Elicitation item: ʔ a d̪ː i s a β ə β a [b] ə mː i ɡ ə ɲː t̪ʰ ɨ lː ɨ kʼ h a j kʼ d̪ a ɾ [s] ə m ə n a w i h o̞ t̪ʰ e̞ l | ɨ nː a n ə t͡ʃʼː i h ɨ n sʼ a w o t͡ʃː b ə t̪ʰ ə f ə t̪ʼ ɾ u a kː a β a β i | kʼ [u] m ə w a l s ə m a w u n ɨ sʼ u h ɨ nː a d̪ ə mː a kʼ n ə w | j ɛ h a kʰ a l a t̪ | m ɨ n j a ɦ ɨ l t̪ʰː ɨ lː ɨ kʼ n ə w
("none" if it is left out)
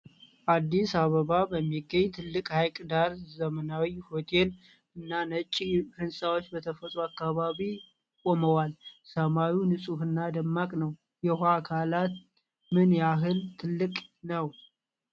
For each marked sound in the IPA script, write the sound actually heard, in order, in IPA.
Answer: b, z, o

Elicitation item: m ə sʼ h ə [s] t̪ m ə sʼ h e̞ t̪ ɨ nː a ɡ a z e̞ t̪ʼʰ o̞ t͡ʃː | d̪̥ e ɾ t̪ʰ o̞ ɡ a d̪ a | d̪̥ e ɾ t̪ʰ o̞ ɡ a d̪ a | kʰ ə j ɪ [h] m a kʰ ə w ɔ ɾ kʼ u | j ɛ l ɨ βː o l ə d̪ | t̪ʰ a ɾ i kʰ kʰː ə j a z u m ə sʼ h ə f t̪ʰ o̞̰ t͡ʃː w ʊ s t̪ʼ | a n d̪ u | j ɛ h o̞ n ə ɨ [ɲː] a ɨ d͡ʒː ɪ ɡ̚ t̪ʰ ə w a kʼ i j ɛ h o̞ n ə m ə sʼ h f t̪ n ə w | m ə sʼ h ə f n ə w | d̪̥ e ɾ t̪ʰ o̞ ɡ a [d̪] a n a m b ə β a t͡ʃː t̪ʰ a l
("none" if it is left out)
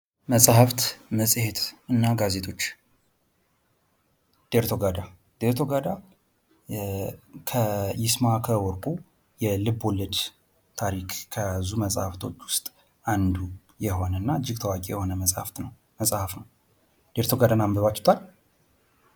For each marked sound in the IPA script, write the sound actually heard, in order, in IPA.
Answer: f, s, nː, d̪

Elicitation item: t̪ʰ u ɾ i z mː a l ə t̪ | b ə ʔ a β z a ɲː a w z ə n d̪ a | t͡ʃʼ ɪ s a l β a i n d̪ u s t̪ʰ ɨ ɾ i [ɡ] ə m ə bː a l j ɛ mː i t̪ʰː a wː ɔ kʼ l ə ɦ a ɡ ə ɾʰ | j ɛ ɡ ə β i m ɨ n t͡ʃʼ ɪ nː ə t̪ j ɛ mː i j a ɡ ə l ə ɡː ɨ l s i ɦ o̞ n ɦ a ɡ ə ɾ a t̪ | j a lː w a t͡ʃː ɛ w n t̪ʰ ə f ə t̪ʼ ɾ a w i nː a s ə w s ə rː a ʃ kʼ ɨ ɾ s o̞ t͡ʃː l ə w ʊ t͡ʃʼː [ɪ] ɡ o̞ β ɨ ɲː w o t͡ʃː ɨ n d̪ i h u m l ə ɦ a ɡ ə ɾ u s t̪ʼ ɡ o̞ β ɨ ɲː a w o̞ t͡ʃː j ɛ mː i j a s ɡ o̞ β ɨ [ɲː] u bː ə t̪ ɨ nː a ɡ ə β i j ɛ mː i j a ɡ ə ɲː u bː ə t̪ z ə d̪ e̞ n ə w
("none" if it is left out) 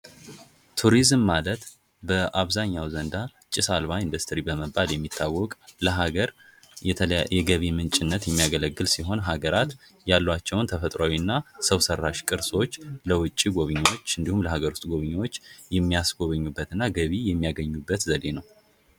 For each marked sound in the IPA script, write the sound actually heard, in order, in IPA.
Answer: b, i, ɲː

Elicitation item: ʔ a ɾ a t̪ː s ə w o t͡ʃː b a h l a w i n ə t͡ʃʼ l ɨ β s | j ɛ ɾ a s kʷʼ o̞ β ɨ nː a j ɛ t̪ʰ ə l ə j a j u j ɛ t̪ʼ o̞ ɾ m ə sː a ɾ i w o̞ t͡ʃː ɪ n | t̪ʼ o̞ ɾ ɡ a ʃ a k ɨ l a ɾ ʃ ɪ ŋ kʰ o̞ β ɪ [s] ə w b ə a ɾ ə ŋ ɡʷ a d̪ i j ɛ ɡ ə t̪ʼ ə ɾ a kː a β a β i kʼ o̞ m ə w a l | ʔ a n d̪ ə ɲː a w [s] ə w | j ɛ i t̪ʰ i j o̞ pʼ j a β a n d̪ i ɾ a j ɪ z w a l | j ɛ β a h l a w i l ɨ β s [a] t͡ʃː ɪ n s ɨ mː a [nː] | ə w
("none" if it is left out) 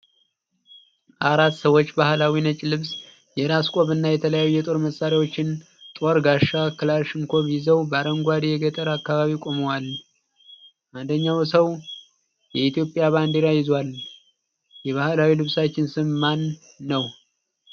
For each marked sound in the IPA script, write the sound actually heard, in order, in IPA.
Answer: z, s, a, nː

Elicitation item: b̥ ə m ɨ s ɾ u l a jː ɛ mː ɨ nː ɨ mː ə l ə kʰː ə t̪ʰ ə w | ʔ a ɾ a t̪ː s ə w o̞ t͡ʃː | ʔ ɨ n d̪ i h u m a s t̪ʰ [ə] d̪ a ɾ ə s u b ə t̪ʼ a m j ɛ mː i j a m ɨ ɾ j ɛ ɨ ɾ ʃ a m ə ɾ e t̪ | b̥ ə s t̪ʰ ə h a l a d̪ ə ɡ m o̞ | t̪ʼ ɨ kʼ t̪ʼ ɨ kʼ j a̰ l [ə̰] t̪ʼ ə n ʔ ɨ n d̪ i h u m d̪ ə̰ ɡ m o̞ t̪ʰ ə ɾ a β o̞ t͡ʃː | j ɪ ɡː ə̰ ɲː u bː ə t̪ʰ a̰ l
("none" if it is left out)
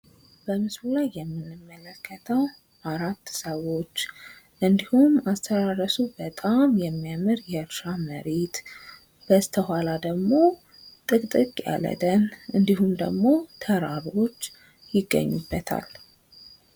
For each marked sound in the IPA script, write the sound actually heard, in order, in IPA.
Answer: ə, ə̰

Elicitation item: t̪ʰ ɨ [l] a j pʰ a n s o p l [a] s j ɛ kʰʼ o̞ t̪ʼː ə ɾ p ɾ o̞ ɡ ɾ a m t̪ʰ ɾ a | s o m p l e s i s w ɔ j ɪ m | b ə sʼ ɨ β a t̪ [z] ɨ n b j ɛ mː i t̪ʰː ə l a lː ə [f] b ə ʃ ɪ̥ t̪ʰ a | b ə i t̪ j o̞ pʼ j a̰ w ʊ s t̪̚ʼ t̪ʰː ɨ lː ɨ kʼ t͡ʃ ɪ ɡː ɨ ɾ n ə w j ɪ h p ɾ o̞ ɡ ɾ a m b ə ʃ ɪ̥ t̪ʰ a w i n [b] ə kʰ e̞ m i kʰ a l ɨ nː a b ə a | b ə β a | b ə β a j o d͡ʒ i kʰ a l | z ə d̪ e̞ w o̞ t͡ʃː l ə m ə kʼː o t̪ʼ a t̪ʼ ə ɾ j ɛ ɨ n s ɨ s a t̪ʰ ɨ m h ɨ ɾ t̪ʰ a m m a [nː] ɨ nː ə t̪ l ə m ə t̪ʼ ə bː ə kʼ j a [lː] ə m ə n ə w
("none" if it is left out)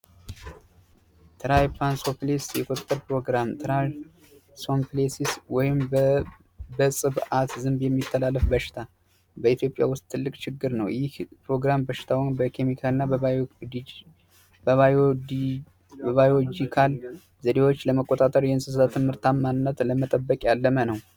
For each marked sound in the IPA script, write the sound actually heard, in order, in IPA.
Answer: ɾ, e, z, f, b, n, lː

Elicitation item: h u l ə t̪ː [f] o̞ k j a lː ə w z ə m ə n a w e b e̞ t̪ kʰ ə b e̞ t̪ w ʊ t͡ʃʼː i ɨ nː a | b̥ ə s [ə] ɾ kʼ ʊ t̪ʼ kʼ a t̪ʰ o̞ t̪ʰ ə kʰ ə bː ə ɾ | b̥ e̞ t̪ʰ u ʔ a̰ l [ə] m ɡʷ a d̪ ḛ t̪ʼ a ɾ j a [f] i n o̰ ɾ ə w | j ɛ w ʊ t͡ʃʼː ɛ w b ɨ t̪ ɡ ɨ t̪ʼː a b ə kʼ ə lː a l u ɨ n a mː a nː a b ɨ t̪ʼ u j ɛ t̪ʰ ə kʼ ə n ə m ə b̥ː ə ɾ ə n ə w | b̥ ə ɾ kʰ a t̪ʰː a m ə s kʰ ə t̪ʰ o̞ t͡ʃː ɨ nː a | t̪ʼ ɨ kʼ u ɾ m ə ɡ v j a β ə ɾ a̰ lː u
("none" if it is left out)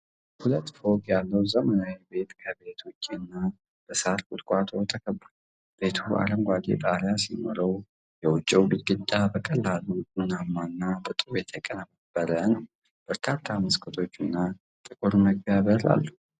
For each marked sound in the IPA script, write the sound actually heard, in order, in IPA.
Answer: f, a, ə, s

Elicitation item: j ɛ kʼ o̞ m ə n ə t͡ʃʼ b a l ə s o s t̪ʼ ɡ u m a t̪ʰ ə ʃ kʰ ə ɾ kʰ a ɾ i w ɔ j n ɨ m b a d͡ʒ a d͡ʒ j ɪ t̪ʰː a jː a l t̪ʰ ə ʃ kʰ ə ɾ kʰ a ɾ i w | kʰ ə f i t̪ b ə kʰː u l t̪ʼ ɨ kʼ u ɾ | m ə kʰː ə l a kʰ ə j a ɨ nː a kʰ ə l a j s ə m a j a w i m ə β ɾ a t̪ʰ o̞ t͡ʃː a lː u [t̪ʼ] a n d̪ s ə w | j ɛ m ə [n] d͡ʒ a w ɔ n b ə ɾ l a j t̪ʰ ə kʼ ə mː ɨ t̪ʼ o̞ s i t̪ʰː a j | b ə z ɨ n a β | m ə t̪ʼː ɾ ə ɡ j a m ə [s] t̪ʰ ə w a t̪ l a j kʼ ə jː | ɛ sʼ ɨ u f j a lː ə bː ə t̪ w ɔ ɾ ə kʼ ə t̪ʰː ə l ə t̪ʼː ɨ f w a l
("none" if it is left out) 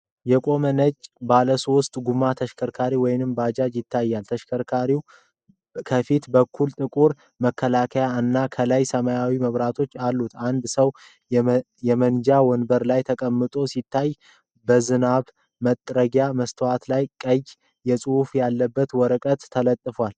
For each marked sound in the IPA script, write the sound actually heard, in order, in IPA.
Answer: t̪, n, s

